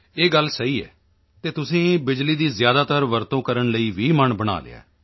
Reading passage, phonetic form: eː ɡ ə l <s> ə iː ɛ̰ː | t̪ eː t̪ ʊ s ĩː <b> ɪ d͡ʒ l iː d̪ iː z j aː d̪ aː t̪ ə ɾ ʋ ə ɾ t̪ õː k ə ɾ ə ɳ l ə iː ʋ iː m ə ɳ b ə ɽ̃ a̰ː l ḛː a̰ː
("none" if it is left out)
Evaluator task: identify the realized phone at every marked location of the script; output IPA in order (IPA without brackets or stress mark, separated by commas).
s, b